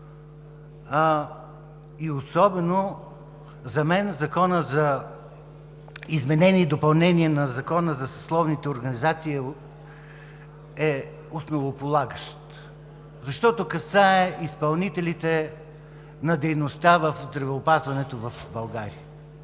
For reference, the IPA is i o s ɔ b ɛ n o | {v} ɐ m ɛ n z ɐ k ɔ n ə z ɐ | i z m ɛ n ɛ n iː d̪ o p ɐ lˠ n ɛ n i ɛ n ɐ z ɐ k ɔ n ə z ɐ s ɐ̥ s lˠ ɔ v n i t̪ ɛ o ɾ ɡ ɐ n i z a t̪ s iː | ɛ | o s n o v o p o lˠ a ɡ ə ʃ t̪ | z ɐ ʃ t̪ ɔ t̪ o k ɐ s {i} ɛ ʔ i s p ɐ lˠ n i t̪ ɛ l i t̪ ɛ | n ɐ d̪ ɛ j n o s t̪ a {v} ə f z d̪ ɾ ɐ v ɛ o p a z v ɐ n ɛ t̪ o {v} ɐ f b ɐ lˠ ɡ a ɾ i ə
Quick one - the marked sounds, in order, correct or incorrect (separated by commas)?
incorrect, incorrect, correct, correct